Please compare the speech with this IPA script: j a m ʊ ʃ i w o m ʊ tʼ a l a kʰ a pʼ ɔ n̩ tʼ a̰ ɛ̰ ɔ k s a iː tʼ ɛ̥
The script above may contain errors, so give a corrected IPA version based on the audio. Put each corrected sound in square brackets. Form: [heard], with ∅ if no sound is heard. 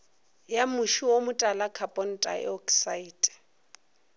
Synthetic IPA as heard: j a m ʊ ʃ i w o m ʊ tʼ a l a kʰ a pʼ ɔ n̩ tʼ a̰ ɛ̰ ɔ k s a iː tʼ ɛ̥